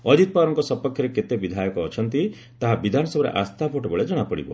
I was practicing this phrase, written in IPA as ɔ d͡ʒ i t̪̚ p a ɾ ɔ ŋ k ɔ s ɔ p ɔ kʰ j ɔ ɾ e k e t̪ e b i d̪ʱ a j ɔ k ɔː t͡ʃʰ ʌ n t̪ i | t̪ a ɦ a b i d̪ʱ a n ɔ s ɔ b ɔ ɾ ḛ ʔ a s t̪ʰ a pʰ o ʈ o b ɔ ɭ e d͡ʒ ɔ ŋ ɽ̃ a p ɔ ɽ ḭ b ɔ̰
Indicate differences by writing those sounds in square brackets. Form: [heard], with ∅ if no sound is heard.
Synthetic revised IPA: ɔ d͡ʒ i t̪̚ p a ɾ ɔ ŋ k ɔ s ɔ p ɔ kʰ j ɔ ɾ e k e t̪ e b i d̪ʱ a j ɔ k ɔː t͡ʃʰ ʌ n t̪ i | t̪ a ɦ a b i d̪ʱ a n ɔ s ɔ b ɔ ɾ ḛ ʔ a s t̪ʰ a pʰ o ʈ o b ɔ ɭ e d͡ʒ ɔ [∅] ɽ̃ a p ɔ ɽ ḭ b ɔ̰